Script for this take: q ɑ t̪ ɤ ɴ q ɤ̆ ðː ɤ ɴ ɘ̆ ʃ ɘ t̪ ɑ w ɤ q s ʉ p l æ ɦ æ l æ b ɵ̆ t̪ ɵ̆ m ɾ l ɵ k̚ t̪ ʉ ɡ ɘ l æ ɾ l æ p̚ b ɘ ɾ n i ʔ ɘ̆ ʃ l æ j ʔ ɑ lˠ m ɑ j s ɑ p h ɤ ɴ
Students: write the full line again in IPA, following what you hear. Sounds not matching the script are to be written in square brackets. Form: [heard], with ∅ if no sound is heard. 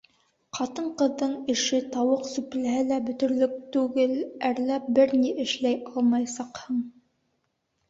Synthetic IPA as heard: q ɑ t̪ ɤ ɴ q ɤ̆ ðː ɤ ɴ ɘ̆ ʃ ɘ t̪ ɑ w ɤ q s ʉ p l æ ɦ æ l æ b ɵ̆ t̪ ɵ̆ [∅] ɾ l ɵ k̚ t̪ ʉ ɡ ɘ l æ ɾ l æ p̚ b ɘ ɾ n i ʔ ɘ̆ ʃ l æ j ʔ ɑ lˠ m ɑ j s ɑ [q] h ɤ ɴ